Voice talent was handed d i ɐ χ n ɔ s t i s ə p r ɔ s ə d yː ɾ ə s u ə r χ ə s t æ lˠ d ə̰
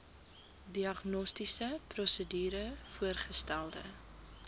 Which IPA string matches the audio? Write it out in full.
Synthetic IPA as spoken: d i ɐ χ n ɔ s t i s ə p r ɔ s ə d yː ɾ ə f u ə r χ ə s t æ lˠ d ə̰